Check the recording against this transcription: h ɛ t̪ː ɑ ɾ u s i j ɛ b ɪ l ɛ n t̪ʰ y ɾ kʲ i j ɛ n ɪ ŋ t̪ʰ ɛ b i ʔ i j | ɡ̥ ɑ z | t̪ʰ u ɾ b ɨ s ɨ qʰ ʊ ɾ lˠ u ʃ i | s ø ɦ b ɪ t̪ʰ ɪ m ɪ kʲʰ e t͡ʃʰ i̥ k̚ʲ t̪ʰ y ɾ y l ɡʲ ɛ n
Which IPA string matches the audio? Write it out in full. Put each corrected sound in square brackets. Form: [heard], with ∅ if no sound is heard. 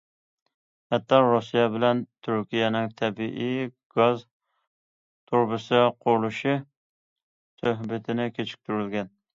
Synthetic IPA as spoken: h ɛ t̪ː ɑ ɾ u s i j ɛ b ɪ l ɛ n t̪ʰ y ɾ kʲ i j ɛ n ɪ ŋ t̪ʰ ɛ b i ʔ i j | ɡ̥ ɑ z | t̪ʰ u ɾ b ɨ s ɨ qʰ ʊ ɾ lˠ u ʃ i | s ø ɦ b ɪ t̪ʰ ɪ [n] ɪ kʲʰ e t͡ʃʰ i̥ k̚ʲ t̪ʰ y ɾ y l ɡʲ ɛ n